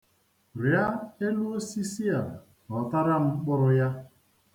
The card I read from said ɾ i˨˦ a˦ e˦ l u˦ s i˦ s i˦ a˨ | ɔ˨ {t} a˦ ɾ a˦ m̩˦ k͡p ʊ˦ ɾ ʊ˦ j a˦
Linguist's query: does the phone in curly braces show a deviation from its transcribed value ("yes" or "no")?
no